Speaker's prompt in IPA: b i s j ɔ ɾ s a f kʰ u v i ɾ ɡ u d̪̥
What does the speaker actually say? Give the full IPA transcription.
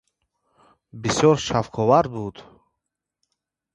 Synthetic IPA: b i s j ɔ ɾ ʃ a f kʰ ɔ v a ɾ b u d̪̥